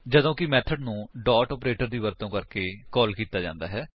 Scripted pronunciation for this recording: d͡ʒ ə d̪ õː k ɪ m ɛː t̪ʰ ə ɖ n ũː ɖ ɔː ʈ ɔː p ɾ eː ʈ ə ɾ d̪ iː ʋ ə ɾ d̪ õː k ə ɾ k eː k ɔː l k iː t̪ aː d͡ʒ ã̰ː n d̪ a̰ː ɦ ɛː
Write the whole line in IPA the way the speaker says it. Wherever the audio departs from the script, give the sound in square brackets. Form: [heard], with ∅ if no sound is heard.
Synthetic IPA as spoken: d͡ʒ ə d̪ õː k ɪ m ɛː t̪ʰ ə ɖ n ũː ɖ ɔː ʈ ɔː p ɾ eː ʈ ə ɾ d̪ iː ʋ ə ɾ [t̪] õː k ə ɾ k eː k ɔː l k iː t̪ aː d͡ʒ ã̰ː n d̪ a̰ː ɦ ɛː